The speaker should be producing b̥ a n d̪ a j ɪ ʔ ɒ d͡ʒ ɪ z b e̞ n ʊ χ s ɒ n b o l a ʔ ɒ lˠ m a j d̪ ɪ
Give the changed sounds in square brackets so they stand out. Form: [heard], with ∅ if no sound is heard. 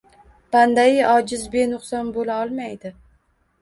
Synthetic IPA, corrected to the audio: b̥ a n d̪ a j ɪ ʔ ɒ d͡ʒ ɪ z b e̞ n ʊ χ s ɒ n b o l a [∅] ɒ lˠ m a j d̪ ɪ